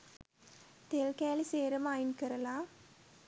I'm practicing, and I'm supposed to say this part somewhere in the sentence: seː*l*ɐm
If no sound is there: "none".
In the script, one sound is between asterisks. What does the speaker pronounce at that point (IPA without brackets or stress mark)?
ɾ